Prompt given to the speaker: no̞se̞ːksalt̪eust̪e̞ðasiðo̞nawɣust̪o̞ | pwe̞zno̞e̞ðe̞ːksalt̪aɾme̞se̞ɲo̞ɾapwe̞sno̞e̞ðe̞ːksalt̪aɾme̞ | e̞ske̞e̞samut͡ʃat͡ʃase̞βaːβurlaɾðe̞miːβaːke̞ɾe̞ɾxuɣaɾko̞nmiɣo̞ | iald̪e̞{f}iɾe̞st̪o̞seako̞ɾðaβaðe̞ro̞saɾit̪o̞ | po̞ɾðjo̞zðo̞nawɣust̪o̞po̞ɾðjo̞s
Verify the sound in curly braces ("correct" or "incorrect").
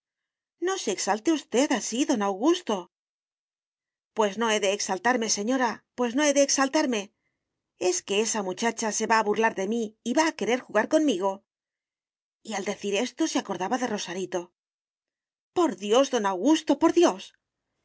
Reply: incorrect